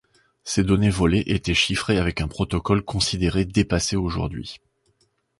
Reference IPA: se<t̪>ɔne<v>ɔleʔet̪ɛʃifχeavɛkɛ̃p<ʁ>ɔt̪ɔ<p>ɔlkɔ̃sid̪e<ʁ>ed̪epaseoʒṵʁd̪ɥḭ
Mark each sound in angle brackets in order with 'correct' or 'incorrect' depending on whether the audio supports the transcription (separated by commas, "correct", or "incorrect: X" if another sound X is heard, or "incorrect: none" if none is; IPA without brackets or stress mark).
incorrect: d̪, correct, incorrect: χ, incorrect: k, correct